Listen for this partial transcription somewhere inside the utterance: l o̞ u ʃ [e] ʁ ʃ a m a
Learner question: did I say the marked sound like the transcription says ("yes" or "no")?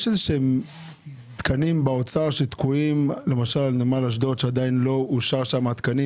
no